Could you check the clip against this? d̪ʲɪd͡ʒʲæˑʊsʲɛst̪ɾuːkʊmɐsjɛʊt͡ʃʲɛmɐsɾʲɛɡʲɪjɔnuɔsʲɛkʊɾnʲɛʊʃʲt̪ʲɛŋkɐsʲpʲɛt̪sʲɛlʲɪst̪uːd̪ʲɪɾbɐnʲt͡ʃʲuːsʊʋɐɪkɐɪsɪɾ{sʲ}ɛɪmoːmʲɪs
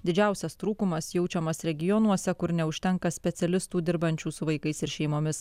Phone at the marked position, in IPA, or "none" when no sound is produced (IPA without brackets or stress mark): ʃʲ